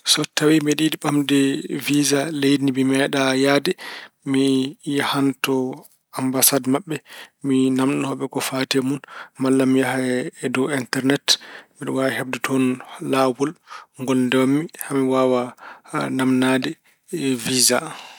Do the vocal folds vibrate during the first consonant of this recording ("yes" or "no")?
no